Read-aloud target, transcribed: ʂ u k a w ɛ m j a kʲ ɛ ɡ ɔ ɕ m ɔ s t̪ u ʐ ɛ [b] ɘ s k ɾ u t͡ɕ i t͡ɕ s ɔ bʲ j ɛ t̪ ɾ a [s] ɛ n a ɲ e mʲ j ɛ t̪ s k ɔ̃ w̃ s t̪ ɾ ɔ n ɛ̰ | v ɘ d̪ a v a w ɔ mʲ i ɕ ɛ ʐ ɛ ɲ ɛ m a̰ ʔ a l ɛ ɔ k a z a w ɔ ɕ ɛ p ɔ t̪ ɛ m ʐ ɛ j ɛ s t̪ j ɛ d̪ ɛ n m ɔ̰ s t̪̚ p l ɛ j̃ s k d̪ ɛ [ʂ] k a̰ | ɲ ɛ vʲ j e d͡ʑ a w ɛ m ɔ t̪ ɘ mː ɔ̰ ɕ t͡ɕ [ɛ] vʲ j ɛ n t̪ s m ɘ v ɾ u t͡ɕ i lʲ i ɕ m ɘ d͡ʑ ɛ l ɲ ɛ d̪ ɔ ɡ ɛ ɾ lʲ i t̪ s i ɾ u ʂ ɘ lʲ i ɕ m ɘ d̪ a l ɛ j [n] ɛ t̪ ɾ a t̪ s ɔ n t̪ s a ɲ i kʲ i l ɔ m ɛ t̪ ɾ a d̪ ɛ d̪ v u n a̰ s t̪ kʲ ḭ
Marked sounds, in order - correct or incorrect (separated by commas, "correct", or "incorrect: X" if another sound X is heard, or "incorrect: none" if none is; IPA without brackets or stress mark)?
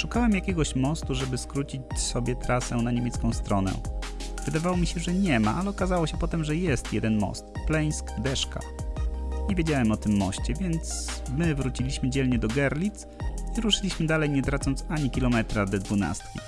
correct, correct, correct, correct, incorrect: ɲ